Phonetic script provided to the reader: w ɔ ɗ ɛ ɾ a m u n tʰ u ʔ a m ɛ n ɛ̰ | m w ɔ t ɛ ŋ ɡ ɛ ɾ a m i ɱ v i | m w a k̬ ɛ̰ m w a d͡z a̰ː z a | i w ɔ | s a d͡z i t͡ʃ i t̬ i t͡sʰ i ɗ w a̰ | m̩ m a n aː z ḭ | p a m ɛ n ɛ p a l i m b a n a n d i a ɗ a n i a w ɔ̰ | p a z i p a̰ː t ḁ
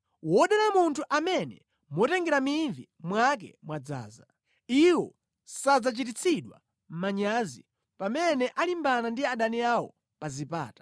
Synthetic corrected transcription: w ɔ ɗ ɛ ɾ a m u n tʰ u ʔ a m ɛ n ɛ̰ | m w ɔ t ɛ ŋ ɡ ɛ ɾ a m i ɱ v i | m w a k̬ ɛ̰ m w a d͡z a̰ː z a | i w ɔ | s a d͡z a t͡ʃ i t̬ i t͡sʰ i ɗ w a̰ | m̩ m a ɲ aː z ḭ | p a m ɛ n ɛ ʔ a l i m b a n a n d i a ɗ a n i a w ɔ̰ | p a z i p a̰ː t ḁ